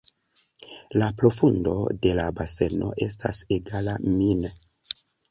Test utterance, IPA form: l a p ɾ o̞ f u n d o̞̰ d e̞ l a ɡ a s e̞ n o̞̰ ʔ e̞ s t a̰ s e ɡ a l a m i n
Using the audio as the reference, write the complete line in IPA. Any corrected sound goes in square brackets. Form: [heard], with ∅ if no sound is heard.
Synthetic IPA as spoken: l a p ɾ o̞ f u n d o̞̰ d e̞ l a [b] a s e̞ n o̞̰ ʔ e̞ s t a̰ s e ɡ a l a m i n